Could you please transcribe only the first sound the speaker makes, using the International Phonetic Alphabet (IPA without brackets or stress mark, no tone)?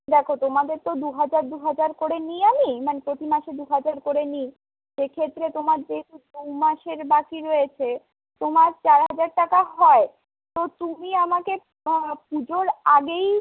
d̪